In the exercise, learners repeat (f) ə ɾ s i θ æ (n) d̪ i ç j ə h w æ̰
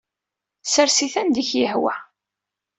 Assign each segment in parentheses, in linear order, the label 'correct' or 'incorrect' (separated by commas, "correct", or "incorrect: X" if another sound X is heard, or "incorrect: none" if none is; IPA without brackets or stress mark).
incorrect: s, correct